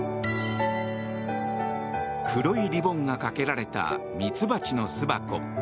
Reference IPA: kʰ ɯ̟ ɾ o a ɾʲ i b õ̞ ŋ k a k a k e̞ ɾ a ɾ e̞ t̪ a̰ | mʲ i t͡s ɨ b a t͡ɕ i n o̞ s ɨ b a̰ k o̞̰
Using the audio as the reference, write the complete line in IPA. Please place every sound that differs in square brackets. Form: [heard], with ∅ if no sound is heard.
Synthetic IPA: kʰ ɯ̟ ɾ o [i] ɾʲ i b õ̞ ŋ [ɡ] a k a k e̞ ɾ a ɾ e̞ t̪ a̰ | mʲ i t͡s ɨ b a t͡ɕ i n o̞ s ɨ b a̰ k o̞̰